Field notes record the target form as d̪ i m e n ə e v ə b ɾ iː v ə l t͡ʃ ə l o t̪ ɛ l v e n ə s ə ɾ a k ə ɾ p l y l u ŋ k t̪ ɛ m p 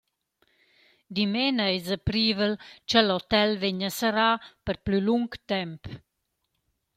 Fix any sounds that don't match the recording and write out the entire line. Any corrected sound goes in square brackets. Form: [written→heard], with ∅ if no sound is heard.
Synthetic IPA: d̪ i m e n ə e [v→z] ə [b→p] ɾ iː v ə l t͡ʃ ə l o t̪ ɛ l v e [n→ɲ] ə s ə ɾ a [k→p] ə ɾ p l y l u ŋ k t̪ ɛ m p